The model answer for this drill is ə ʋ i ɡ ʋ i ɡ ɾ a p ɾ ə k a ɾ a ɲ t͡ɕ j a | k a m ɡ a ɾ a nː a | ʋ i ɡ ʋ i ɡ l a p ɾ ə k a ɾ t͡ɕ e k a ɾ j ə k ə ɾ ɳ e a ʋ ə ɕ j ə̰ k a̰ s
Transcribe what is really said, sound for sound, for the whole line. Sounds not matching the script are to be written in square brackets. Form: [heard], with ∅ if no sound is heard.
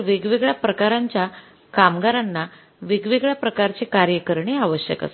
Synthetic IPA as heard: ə ʋ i ɡ ʋ i ɡ [ɭ] a p ɾ ə k a ɾ a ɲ t͡ɕ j a | k a m ɡ a ɾ a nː a | ʋ i ɡ ʋ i ɡ [ɭ] a p ɾ ə k a ɾ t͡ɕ e k a ɾ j ə k ə ɾ ɳ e a ʋ ə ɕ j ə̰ k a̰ s